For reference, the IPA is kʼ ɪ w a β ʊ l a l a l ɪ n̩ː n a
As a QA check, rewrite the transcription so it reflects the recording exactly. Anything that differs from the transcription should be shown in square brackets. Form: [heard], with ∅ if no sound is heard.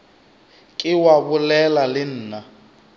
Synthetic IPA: kʼ ɪ w a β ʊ l [ɛ] l a l ɪ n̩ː n a